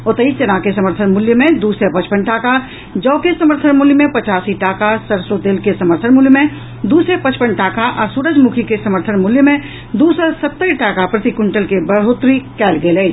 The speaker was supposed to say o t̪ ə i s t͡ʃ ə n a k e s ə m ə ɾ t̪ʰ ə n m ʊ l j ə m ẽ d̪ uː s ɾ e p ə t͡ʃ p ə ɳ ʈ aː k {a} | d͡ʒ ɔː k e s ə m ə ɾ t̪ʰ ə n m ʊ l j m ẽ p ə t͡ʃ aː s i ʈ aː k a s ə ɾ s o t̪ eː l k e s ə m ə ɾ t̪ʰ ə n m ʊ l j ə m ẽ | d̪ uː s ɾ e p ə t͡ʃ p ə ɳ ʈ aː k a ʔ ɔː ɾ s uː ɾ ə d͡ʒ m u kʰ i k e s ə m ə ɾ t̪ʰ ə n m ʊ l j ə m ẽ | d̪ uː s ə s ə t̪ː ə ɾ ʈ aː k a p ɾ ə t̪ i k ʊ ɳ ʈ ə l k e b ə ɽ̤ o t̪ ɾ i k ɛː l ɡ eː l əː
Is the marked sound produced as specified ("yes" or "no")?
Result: yes